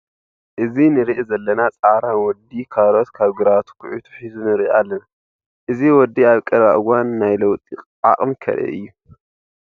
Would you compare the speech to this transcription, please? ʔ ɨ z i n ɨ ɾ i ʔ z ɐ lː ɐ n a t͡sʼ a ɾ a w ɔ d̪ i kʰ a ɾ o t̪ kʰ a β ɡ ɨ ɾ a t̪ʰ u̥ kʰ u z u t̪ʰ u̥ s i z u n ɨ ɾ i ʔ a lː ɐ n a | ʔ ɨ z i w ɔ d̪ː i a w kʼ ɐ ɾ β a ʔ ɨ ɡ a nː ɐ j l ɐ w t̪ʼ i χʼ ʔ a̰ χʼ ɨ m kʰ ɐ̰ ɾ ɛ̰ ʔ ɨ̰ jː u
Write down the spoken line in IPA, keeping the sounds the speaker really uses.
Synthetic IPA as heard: ʔ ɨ z i n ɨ ɾ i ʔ z ɐ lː ɐ n a t͡sʼ a ɾ a w ɔ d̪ i kʰ a ɾ o t̪ kʰ a β ɡ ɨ ɾ a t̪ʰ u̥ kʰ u ʕ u t̪ʰ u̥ ħ i z u n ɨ ɾ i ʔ a lː ɐ n a | ʔ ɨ z i w ɔ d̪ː i a β kʼ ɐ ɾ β a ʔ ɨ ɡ a nː a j l ɐ w t̪ʼ i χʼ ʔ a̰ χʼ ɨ m kʰ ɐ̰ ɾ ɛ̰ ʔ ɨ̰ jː u